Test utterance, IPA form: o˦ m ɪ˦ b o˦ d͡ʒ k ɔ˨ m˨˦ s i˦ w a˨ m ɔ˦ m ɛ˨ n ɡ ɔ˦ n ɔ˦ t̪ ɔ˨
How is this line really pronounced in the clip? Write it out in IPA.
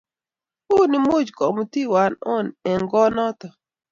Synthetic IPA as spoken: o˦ n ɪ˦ m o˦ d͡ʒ k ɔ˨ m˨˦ t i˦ w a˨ n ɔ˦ n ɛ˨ ŋ ɡ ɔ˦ n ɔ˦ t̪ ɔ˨